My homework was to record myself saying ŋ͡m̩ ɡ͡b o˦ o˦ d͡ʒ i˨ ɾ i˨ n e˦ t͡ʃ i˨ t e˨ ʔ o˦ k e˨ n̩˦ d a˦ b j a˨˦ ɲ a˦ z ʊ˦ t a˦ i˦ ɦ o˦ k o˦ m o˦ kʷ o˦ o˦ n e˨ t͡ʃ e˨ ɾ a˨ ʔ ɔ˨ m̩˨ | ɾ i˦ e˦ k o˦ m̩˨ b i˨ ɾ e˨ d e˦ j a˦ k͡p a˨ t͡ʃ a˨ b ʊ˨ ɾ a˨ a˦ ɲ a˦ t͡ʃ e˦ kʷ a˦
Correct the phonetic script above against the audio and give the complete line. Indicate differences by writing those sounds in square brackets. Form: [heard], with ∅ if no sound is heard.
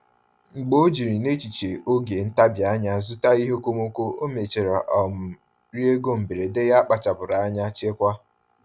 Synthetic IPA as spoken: ŋ͡m̩ ɡ͡b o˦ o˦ d͡ʒ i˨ ɾ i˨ n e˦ t͡ʃ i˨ [t͡ʃ] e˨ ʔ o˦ [ɡ] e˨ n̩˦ [t] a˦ b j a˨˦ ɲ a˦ z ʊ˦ t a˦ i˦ ɦ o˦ k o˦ m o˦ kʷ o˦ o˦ [m] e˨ t͡ʃ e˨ ɾ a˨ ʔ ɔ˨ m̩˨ | ɾ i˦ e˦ [ɡ] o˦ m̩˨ b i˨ ɾ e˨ d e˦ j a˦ k͡p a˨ t͡ʃ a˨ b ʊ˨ ɾ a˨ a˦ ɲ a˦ t͡ʃ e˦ kʷ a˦